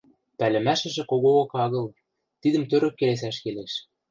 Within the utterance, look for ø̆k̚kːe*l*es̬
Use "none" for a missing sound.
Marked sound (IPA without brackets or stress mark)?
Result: l